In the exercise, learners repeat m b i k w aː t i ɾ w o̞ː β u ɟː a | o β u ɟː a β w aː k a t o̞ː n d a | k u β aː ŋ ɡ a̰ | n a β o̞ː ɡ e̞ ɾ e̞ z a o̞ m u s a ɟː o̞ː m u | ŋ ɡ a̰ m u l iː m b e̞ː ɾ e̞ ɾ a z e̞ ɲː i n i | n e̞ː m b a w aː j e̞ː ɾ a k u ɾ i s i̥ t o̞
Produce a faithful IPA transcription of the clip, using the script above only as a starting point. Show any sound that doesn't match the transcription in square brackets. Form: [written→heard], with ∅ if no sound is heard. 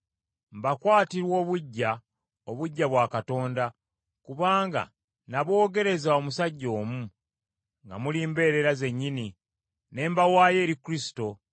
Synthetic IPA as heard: m b [i→a] k w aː t i ɾ w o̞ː β u ɟː a | o β u ɟː a β w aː k a t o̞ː n d a | k u β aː ŋ ɡ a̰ | n a β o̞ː ɡ e̞ ɾ e̞ z a o̞ m u s a ɟː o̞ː m u | ŋ ɡ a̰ m u l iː m b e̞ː ɾ e̞ ɾ a z e̞ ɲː i n i | n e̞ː m b a w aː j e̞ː ɾ [a→i] k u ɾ i s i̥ t o̞